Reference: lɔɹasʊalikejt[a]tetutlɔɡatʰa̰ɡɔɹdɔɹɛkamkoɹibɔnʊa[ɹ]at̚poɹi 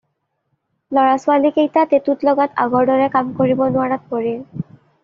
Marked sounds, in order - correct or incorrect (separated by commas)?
correct, correct